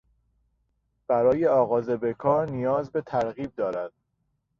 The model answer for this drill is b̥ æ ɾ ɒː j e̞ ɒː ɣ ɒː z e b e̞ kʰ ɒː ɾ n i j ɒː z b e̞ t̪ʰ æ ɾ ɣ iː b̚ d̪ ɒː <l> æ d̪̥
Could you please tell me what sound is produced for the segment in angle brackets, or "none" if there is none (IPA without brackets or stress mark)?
ɾ